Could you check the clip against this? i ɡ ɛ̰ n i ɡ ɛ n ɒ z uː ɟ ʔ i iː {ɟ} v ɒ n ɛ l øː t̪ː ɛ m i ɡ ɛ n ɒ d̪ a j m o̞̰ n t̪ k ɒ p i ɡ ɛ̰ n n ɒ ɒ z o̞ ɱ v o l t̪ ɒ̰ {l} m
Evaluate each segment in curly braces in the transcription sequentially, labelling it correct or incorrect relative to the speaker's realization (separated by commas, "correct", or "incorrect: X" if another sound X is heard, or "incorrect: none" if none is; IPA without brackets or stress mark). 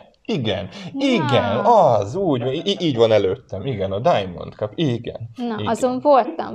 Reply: correct, incorrect: none